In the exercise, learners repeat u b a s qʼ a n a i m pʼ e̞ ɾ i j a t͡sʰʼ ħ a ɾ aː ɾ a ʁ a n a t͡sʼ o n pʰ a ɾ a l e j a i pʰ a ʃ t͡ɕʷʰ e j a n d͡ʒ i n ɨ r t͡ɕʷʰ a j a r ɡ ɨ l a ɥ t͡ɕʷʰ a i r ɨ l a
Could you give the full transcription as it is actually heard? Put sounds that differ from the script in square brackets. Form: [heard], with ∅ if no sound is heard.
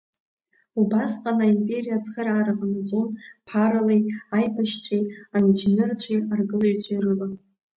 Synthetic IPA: u b a s qʼ a n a i m pʼ e̞ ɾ i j a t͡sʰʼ [χ] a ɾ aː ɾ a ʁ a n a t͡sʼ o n pʰ a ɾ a l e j a [j] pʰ a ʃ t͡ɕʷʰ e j a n d͡ʒ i n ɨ r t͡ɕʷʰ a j a r ɡ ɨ l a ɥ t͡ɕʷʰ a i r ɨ l a